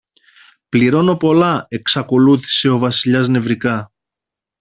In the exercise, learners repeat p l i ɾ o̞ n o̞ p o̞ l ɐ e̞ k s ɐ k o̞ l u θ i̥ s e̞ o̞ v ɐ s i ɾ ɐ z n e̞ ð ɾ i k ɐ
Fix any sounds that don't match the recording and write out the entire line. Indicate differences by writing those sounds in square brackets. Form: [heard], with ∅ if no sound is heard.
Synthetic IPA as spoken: p l i ɾ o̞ n o̞ p o̞ l ɐ e̞ k s ɐ k o̞ l u θ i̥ s e̞ o̞ v ɐ s i [ʎ] ɐ z n e̞ [v] ɾ i k ɐ

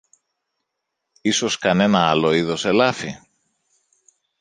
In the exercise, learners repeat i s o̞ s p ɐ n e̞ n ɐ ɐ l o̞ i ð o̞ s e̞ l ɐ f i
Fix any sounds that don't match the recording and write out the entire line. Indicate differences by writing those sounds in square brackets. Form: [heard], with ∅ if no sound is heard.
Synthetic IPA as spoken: i s o̞ s [k] ɐ n e̞ n ɐ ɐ l o̞ i ð o̞ s e̞ l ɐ f i

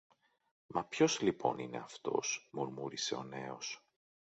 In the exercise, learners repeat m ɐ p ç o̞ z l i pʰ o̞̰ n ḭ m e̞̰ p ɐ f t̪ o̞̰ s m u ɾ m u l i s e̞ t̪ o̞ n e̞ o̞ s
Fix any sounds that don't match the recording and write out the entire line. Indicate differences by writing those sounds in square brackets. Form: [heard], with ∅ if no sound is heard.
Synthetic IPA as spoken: m ɐ p ç o̞ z l i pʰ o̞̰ n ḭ [n] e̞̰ [∅] ɐ f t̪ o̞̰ s m u ɾ m u [ɾ] i s e̞ [∅] o̞ n e̞ o̞ s

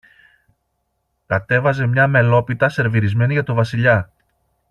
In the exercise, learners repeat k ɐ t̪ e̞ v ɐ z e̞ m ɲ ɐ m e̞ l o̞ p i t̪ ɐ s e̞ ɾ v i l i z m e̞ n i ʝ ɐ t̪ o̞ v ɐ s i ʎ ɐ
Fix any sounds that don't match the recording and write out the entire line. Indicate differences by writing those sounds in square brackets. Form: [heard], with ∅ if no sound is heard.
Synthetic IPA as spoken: k ɐ t̪ e̞ v ɐ z e̞ m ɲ ɐ m e̞ l o̞ p i t̪ ɐ s e̞ ɾ v i [ɾ] i z m e̞ n i ʝ ɐ t̪ o̞ v ɐ s i ʎ ɐ

